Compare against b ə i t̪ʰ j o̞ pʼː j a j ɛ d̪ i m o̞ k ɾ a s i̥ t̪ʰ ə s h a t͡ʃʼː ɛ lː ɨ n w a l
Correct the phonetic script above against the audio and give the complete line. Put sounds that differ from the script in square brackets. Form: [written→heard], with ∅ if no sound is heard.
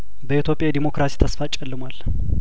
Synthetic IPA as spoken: b ə i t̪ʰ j o̞ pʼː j a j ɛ d̪ i m o̞ k ɾ a s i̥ t̪ʰ ə s [h→f] a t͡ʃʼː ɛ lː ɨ [n→m] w a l